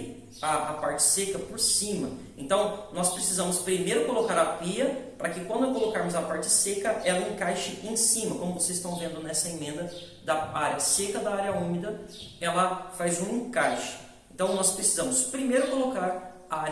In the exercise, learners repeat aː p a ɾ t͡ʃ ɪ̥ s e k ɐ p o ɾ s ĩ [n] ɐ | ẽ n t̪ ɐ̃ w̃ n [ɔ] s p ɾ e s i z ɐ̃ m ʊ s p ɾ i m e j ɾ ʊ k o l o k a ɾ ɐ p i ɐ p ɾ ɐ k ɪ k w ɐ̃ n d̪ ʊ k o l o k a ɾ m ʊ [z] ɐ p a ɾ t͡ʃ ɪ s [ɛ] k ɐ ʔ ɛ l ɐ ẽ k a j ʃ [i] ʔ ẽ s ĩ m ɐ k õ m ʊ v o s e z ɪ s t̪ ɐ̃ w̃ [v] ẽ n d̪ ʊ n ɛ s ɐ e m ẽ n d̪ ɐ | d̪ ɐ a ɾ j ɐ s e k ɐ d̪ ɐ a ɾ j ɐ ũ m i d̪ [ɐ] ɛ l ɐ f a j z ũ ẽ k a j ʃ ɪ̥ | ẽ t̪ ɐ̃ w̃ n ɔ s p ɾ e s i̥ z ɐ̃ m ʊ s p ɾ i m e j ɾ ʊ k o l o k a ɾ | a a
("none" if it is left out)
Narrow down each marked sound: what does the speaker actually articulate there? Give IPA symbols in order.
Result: m, ɔ, z, e, ɪ, v, ɐ

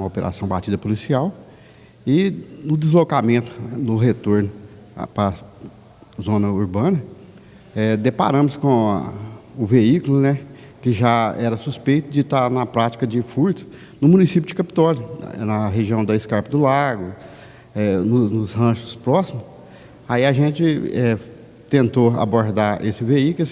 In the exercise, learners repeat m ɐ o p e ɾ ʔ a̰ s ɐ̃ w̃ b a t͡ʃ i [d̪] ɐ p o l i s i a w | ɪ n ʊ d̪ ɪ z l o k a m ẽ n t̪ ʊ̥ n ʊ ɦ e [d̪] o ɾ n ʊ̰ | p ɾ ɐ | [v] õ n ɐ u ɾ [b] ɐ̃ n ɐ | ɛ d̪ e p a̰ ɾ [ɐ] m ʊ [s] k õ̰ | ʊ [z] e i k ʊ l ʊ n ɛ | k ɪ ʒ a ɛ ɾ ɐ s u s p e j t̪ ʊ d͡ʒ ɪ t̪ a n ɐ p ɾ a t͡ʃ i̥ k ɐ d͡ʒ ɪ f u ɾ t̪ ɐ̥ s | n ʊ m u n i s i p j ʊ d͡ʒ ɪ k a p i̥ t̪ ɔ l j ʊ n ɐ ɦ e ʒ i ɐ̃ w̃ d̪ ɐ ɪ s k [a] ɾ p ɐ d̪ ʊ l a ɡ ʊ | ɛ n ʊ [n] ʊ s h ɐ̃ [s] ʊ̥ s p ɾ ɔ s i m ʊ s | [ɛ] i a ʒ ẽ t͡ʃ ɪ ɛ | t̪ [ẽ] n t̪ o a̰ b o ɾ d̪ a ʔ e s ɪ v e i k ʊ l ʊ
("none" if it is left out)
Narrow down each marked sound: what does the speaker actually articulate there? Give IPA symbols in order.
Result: d̪, t̪, z, b, ɐ̃, s, v, a, n, ʃ, a, ẽ

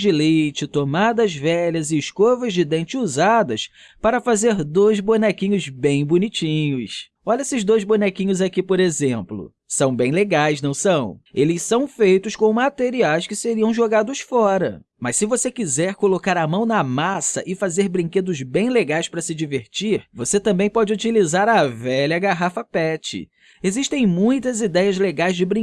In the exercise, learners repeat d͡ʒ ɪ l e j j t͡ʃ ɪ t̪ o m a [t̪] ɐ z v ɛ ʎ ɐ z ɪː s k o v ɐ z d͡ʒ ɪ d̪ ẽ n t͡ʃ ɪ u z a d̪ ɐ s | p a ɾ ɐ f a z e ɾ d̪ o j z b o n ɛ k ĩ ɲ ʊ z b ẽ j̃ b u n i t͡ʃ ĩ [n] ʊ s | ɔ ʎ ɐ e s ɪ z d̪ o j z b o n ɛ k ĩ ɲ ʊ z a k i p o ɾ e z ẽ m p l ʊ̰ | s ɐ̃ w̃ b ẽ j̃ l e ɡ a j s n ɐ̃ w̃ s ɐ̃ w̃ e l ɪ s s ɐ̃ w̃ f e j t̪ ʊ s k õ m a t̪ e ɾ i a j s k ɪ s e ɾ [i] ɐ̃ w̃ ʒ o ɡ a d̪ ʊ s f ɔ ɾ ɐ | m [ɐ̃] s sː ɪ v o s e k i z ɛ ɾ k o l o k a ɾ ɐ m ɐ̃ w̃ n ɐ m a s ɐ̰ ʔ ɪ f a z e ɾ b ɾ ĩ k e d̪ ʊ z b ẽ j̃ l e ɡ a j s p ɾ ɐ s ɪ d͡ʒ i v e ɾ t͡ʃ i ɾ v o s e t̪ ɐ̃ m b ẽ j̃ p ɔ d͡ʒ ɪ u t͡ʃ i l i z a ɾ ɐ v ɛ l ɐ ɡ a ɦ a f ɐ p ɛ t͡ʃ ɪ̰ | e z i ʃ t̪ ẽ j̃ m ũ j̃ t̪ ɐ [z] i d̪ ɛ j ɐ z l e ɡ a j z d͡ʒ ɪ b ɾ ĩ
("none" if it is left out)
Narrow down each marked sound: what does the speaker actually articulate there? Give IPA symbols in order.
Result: d̪, ɲ, i, ɐ, z

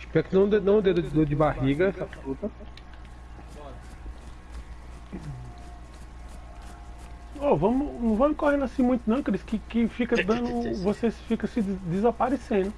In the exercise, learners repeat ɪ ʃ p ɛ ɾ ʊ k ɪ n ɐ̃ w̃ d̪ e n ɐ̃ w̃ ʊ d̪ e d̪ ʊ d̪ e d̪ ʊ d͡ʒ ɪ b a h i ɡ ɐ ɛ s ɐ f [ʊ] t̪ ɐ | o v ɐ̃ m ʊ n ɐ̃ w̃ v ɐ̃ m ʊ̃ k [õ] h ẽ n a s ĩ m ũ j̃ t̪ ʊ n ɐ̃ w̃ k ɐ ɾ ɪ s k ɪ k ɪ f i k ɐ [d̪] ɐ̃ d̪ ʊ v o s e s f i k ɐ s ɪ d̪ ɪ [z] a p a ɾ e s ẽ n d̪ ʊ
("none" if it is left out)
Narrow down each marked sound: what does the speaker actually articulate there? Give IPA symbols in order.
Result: u, o, d̪, z

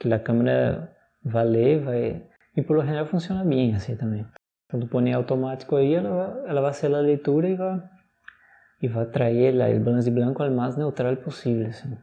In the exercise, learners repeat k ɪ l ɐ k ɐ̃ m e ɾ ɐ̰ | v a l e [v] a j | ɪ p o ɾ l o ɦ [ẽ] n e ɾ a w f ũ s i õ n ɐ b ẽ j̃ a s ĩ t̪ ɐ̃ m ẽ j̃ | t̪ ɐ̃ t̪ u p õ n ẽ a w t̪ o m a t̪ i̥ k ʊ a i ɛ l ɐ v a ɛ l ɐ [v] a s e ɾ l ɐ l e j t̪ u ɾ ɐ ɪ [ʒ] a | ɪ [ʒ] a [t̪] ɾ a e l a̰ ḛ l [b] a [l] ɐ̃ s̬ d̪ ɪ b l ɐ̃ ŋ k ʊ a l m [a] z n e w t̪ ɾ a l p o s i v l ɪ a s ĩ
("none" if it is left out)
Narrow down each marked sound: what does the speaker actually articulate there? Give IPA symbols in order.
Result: v, e, v, v, v, t̪, b, l, a

